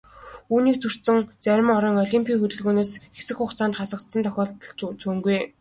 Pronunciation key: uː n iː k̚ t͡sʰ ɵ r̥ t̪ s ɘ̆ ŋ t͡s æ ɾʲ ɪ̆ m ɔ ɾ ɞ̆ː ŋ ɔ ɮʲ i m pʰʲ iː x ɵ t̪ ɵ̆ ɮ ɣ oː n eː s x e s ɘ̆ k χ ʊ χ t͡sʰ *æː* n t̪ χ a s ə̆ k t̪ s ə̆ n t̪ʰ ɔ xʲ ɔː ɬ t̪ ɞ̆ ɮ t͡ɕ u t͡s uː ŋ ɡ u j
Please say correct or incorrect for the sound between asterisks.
incorrect